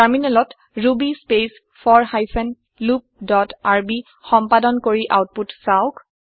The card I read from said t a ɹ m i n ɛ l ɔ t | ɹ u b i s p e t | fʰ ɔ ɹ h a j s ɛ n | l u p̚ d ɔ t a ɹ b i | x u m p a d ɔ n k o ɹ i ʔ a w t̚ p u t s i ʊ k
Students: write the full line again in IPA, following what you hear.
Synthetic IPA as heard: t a ɹ m i n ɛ l ɔ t | ɹ u b i s p e s | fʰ ɔ ɹ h a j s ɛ n | l u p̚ d ɔ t a ɹ b i | x ɔ m p a d ɔ n k o ɹ i ʔ a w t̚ p u t s a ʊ k